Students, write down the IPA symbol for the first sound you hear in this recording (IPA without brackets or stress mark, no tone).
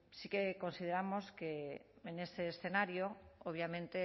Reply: s